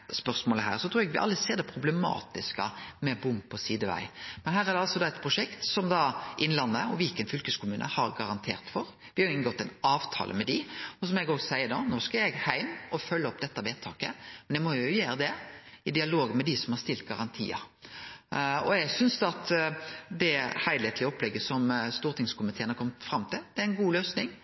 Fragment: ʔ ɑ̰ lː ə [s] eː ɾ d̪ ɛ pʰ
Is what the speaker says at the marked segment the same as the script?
yes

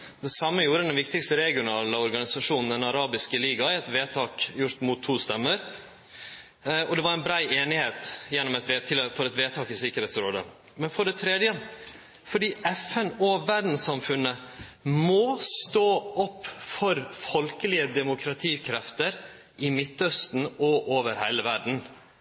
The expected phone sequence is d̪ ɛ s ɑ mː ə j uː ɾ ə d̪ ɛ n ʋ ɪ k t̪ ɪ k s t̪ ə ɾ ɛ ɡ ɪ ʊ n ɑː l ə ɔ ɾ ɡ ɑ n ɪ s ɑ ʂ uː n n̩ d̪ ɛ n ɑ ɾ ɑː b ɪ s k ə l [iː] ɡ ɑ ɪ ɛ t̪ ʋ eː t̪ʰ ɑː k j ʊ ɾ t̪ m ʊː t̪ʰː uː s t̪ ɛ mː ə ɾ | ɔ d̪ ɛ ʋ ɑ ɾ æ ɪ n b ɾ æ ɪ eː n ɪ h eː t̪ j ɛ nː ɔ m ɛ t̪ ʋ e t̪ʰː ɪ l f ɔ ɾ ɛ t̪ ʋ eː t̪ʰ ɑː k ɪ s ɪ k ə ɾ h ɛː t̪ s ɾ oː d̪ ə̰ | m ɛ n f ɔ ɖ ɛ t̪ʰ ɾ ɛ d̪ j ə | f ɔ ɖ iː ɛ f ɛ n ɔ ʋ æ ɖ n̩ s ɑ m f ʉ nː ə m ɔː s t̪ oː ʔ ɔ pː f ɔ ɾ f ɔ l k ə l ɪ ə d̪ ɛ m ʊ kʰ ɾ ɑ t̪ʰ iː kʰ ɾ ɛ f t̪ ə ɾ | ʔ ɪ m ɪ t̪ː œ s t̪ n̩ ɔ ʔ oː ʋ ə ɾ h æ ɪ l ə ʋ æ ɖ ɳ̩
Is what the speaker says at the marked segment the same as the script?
yes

